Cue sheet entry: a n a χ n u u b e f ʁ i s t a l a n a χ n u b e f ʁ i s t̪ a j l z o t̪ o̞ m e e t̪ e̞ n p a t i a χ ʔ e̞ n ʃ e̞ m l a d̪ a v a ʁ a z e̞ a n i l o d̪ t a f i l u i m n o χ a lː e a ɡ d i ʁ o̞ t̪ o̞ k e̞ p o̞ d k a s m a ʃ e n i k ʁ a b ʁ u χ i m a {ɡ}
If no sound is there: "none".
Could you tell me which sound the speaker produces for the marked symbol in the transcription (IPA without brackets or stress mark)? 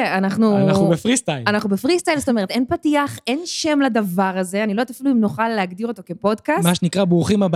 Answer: b